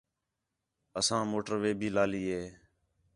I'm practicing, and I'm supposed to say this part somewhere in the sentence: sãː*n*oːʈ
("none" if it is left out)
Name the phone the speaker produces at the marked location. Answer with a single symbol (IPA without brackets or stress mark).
m